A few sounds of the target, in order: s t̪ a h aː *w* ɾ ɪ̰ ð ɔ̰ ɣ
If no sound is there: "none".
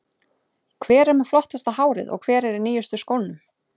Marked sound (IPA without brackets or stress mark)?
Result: w